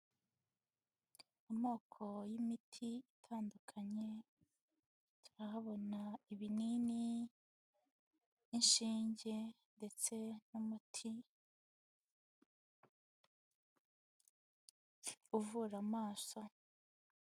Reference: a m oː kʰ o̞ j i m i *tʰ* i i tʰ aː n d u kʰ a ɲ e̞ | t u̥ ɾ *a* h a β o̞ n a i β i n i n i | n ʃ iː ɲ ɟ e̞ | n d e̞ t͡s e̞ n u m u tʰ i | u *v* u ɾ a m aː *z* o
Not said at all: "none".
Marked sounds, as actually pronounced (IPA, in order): tʰ, a, v, s

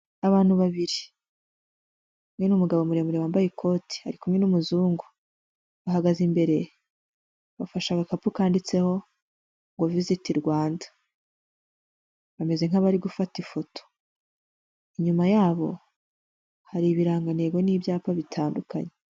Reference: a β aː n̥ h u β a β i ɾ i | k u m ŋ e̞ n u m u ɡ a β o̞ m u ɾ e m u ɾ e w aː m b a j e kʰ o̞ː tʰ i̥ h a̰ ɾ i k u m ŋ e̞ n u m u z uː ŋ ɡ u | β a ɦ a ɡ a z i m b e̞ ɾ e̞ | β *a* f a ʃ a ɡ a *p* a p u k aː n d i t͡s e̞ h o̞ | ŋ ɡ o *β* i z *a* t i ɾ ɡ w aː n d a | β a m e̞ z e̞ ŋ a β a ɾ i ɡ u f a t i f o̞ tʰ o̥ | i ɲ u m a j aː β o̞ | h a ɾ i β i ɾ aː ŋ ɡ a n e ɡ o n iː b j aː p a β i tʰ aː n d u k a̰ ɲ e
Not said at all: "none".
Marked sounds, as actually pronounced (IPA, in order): a, k, v, i

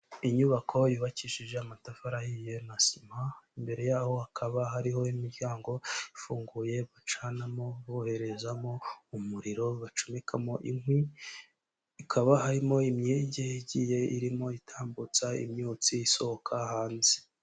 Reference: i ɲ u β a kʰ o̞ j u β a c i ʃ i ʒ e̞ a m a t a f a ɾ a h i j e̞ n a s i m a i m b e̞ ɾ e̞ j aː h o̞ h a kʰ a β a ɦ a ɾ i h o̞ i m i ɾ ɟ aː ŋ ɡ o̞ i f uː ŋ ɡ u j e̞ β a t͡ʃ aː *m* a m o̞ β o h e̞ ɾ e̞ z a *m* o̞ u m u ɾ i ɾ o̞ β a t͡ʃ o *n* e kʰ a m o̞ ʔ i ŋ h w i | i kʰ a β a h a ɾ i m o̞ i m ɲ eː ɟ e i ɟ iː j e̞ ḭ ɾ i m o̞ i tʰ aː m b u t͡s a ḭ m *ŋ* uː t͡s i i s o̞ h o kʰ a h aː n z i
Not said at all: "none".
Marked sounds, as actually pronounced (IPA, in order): n, m, m, ɲ

